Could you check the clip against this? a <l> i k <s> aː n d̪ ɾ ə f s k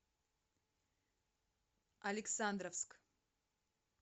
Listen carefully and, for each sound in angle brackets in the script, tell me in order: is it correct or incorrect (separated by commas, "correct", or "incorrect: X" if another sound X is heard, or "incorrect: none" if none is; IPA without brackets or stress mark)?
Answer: correct, correct